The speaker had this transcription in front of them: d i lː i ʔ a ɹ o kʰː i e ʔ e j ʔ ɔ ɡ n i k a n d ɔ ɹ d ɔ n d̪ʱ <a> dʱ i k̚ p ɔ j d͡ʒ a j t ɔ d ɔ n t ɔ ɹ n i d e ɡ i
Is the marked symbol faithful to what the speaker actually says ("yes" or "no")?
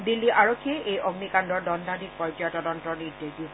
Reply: yes